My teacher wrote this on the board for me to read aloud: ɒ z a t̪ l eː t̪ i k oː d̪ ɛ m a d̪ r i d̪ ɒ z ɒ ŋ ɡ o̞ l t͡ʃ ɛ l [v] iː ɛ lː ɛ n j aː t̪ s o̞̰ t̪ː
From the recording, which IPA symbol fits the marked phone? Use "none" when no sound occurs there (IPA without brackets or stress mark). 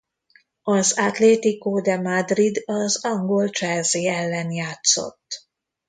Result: z